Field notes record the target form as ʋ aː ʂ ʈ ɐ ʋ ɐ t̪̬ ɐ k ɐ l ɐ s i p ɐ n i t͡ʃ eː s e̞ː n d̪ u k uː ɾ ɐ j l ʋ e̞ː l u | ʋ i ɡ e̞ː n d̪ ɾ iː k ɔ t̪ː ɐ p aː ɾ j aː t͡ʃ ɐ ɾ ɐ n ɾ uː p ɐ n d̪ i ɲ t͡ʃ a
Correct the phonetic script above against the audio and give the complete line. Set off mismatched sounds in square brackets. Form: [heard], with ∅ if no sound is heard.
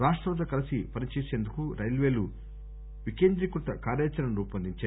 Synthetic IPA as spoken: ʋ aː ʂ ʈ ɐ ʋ ɐ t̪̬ ɐ k ɐ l ɐ s i p ɐ n i t͡ʃ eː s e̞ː n d̪ u k [u] ɾ ɐ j l ʋ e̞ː l u | ʋ i [k] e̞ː n d̪ ɾ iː k [u] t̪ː ɐ [k] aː ɾ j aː t͡ʃ ɐ ɾ ɐ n ɾ uː p ɐ n d̪ i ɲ t͡ʃ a